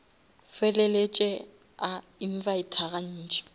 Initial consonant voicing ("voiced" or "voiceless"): voiceless